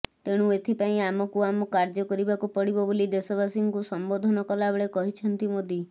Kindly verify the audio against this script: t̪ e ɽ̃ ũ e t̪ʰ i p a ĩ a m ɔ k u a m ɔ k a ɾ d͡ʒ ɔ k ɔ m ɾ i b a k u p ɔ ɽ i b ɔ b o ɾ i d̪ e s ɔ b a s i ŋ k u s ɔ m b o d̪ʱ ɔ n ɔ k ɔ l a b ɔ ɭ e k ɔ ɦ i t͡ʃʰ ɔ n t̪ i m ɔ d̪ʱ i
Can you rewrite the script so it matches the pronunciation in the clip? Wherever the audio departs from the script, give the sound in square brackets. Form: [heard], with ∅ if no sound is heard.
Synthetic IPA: t̪ e ɽ̃ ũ e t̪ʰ i p a ĩ a m ɔ k u a m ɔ k a ɾ d͡ʒ ɔ k ɔ [∅] ɾ i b a k u p ɔ ɽ i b ɔ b o [l] i d̪ e s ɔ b a s i ŋ k u s ɔ m b o d̪ʱ ɔ n ɔ k ɔ l a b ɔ ɭ e k ɔ ɦ i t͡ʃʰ ɔ n t̪ i m [o] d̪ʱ i

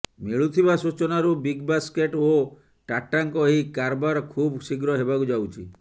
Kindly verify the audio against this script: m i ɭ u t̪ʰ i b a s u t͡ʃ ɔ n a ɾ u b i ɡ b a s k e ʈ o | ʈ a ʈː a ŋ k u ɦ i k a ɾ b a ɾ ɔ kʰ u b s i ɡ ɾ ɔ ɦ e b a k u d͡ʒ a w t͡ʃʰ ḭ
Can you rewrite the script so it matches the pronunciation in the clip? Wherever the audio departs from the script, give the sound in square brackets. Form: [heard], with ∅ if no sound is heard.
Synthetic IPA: m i ɭ u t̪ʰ i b a s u t͡ʃ ɔ n a ɾ u b i ɡ b a s k e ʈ o | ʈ a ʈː a ŋ k [ɔ] ɦ i k a ɾ b a ɾ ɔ kʰ u b s i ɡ ɾ ɔ ɦ e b a k u d͡ʒ a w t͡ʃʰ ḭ

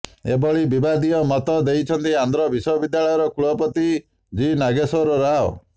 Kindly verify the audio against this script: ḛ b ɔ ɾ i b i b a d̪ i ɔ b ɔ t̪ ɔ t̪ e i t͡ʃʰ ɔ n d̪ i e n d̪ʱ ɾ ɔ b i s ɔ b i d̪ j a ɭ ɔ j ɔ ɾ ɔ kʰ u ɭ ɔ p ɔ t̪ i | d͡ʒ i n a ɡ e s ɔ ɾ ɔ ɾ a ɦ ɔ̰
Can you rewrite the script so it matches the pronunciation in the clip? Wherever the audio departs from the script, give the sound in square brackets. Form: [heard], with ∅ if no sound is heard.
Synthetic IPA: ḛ b ɔ [ɭ] i b i b a d̪ i ɔ [m] ɔ t̪ ɔ [d̪] e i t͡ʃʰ ɔ n [t̪] i [a] n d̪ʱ ɾ ɔ b i s ɔ b i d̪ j a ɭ ɔ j ɔ ɾ ɔ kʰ u ɭ ɔ p ɔ t̪ i | d͡ʒ i n a ɡ e s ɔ ɾ ɔ ɾ a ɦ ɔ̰

